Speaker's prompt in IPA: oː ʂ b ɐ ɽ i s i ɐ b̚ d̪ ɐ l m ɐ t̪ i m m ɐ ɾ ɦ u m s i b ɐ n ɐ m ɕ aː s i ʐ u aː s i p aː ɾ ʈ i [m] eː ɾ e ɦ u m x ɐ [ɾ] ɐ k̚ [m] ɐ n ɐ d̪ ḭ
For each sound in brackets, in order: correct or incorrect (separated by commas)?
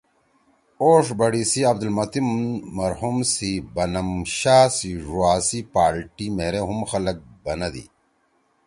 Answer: correct, incorrect, incorrect